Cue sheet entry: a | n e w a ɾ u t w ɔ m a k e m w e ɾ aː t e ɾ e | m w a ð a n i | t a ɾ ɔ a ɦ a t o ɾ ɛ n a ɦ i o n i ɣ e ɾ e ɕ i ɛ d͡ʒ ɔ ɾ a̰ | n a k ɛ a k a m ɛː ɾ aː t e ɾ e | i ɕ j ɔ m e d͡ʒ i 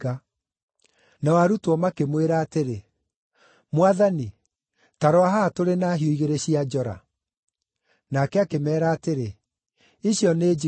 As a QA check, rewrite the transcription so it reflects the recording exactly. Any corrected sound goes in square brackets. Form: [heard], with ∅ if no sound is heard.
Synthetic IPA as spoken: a | n [a] w a ɾ u t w ɔ m a k e m w e ɾ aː t e ɾ e | m w a ð a n i | t a ɾ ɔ a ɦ a t o ɾ [e] n a ɦ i o [∅] i ɣ e ɾ e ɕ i [a] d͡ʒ ɔ ɾ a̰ | n a k ɛ a k [e] m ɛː ɾ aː t e ɾ e | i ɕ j ɔ [n] e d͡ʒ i